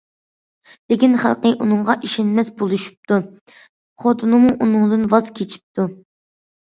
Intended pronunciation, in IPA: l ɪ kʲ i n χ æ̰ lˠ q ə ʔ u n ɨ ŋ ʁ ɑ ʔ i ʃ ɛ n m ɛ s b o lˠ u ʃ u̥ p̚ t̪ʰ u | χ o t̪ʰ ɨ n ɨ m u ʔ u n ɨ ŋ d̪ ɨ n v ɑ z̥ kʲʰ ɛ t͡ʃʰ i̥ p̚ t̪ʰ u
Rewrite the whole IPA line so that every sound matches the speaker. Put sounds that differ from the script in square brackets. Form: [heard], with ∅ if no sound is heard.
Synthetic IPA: l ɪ kʲ i n χ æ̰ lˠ q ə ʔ u n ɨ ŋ ʁ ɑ ʔ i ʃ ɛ n m ɛ s b o lˠ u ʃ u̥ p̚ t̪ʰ u | χ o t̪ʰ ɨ n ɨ m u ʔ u n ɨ ŋ d̪ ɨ n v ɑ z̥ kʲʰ [e] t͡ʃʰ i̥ p̚ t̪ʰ u